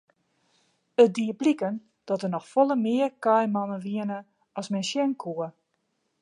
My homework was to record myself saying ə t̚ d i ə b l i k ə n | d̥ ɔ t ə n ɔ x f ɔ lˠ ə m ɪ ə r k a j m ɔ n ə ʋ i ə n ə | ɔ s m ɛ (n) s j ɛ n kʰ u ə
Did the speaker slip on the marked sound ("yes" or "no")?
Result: no